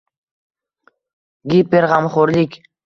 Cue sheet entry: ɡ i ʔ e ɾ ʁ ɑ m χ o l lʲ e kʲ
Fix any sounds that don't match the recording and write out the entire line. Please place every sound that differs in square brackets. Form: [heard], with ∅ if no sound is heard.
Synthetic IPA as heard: ɡ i [p] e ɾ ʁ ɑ m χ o [ɾ] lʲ [i] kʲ